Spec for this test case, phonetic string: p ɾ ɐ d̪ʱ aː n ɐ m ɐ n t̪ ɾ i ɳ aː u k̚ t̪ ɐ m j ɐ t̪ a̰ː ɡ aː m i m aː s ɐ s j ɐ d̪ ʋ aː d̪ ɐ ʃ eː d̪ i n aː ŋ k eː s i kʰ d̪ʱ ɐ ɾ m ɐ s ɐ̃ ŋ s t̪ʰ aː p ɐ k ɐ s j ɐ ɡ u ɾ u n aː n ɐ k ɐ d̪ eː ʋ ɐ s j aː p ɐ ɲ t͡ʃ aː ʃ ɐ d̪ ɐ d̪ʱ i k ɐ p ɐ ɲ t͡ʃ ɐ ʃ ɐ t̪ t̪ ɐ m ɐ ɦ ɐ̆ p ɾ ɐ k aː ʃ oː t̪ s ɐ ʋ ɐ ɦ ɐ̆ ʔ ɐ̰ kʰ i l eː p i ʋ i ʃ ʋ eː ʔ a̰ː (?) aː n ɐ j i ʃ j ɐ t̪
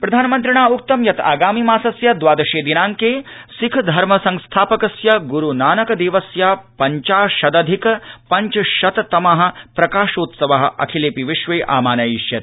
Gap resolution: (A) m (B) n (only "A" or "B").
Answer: A